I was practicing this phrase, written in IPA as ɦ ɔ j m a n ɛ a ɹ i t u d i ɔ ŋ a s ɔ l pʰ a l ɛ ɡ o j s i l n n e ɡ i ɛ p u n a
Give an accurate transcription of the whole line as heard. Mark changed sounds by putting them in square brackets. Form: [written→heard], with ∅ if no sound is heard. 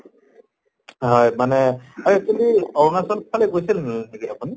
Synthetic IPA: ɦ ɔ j m a n ɛ a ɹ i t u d i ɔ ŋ a s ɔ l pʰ a l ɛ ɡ o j s i l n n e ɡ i [ɛ→a] p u n [a→i]